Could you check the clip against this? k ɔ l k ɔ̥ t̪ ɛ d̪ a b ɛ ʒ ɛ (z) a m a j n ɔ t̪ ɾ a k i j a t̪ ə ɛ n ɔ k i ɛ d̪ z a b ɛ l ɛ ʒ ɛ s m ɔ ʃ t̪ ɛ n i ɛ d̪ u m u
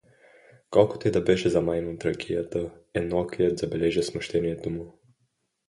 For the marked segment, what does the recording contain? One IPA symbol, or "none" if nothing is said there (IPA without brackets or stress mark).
z